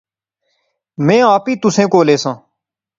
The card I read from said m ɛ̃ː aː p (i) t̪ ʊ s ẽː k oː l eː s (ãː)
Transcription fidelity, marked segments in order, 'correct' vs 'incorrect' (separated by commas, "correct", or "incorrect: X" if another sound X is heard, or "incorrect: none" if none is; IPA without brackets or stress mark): incorrect: iː, correct